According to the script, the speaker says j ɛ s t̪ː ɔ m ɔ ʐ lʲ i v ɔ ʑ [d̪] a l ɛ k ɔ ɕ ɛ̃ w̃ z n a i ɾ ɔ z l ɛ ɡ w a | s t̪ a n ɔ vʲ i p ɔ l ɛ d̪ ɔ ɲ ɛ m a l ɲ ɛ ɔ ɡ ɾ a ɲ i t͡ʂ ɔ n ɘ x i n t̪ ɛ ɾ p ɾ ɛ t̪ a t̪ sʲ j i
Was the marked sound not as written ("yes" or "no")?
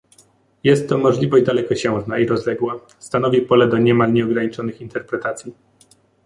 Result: no